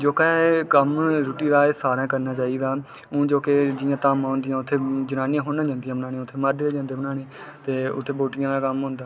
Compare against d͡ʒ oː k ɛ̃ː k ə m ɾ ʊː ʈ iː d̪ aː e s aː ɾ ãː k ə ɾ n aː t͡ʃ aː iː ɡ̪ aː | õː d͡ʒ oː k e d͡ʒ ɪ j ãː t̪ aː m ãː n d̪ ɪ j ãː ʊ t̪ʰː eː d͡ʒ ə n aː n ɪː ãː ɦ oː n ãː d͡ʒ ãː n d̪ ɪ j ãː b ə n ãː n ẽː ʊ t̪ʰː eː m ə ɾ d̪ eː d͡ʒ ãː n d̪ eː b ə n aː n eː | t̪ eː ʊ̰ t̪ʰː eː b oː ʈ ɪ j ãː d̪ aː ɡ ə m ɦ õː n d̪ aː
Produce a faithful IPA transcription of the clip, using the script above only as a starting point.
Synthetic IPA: d͡ʒ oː k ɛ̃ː k ə m ɾ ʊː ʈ iː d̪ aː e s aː ɾ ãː k ə ɾ n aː t͡ʃ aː iː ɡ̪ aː | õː d͡ʒ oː k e d͡ʒ ɪ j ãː t̪ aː m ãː n d̪ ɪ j ãː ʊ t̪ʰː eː d͡ʒ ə n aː n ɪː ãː ɦ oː n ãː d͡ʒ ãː n d̪ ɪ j ãː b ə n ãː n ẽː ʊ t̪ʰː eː m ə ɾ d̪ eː d͡ʒ ãː n d̪ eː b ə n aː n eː | t̪ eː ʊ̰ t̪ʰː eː b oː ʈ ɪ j ãː d̪ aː k ə m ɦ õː n d̪ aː